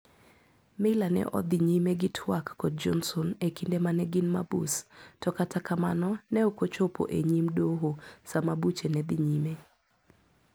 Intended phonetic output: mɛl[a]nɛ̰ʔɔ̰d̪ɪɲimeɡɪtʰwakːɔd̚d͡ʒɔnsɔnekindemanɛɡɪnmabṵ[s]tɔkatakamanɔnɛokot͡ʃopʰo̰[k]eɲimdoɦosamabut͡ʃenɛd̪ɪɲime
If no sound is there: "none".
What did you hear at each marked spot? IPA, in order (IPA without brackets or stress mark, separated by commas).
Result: a, s, ʔ